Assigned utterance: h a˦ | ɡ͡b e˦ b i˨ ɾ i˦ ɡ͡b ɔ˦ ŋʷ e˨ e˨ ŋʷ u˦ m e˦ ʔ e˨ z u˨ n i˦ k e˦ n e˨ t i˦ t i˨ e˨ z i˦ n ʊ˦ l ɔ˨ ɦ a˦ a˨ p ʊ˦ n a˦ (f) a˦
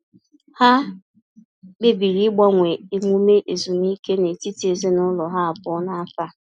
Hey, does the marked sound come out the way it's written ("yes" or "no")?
yes